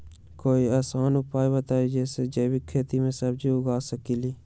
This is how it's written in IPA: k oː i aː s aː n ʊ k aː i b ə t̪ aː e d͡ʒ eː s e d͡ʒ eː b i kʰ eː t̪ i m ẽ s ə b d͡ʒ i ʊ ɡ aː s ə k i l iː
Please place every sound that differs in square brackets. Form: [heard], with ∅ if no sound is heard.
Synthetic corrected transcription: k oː i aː s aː n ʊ [p] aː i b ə t̪ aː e d͡ʒ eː s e d͡ʒ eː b i kʰ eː t̪ i m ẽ s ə b d͡ʒ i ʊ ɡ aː s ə k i l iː